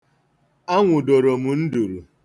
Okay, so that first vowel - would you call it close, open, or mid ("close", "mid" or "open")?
open